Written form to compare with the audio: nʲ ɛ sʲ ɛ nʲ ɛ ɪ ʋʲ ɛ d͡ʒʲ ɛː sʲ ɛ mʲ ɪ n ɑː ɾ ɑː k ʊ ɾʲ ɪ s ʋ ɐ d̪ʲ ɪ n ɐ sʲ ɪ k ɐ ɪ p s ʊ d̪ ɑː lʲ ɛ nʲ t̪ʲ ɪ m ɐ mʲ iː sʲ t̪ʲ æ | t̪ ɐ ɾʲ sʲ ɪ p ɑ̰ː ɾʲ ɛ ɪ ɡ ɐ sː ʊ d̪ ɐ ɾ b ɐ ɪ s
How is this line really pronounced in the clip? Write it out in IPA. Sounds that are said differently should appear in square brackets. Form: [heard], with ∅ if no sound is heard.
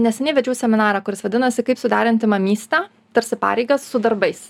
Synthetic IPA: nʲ ɛ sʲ ɛ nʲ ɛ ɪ ʋʲ ɛ d͡ʒʲ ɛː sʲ ɛ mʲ ɪ n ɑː ɾ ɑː k ʊ ɾʲ ɪ s ʋ ɐ d̪ʲ ɪ n ɐ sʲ ɪ k ɐ ɪ p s ʊ d̪ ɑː [ɾʲ] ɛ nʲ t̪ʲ ɪ m ɐ mʲ iː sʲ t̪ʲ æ | t̪ ɐ ɾʲ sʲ ɪ p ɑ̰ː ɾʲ ɛ ɪ ɡ ɐ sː ʊ d̪ ɐ ɾ b ɐ ɪ s